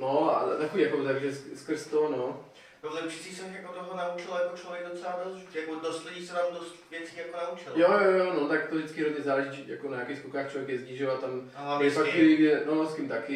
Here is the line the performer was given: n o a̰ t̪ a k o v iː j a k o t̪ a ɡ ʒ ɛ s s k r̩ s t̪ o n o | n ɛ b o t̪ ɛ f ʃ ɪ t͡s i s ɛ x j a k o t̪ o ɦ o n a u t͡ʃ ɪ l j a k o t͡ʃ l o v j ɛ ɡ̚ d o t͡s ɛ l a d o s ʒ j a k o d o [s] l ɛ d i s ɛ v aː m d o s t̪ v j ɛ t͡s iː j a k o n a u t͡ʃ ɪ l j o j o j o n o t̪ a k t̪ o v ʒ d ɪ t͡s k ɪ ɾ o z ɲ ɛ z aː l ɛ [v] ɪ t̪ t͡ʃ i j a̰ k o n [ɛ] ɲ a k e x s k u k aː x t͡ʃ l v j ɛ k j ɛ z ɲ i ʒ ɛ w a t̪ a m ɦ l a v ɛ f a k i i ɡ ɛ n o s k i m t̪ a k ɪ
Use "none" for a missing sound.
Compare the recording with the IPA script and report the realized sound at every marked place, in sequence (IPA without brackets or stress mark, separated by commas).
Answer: s, ʒ, a